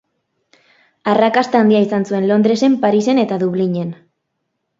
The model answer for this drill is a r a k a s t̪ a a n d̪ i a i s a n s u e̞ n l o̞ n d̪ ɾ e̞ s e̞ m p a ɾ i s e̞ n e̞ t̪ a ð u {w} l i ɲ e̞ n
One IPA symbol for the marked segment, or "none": β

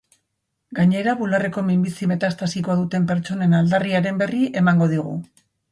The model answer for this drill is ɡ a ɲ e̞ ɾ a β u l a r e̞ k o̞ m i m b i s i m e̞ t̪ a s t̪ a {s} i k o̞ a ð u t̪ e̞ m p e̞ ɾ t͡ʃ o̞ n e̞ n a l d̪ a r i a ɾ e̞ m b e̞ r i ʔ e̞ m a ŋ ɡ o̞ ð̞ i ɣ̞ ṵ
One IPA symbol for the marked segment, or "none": s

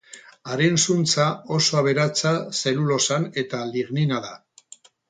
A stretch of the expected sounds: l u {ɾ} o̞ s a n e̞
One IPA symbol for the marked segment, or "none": l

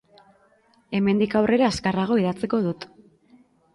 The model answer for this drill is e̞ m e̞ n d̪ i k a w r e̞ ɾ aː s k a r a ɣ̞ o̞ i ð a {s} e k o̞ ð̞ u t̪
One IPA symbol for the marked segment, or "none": t͡s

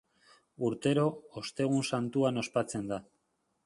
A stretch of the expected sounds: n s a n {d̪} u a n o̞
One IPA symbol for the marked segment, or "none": t̪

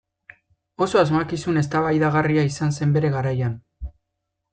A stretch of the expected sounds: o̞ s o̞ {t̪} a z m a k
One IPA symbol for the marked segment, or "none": none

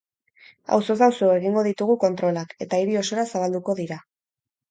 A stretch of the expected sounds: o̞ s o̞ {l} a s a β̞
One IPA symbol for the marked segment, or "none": ɾ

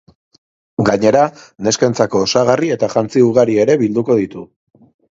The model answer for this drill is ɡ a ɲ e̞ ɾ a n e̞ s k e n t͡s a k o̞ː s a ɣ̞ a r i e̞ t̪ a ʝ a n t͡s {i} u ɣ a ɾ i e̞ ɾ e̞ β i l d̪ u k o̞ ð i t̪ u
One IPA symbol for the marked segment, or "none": i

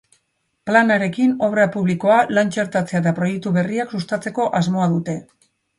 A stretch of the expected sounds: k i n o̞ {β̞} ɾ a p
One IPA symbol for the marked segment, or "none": β̞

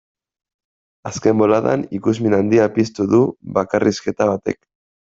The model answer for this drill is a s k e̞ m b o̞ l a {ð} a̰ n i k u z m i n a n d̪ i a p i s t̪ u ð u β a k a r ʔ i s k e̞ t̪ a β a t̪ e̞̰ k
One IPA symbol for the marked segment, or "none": ð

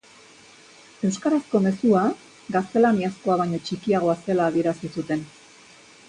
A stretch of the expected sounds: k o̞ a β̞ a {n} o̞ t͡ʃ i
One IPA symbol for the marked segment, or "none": ɲ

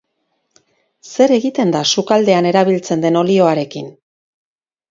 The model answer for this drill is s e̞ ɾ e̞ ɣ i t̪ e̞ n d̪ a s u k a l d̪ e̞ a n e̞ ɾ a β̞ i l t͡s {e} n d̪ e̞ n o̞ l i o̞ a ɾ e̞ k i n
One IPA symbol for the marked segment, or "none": e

